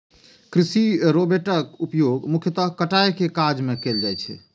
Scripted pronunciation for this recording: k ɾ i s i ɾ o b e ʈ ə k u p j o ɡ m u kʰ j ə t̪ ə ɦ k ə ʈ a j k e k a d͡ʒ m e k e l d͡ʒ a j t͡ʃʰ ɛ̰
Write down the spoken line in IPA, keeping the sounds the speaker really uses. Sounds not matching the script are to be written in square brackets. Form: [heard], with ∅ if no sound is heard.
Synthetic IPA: k ɾ i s i ɾ o b e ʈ ə k u p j o ɡ m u kʰ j ə t̪ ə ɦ k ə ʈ a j k e k a d͡ʒ m e k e l d͡ʒ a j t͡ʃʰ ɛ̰